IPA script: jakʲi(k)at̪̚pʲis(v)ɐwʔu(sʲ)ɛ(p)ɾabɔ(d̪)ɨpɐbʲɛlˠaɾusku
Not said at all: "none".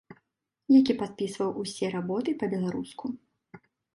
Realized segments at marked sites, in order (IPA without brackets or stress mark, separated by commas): p, v, sʲ, none, t̪